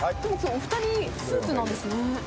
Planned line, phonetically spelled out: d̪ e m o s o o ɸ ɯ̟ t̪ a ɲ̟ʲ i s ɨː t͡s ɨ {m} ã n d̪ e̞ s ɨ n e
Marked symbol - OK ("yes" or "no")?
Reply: no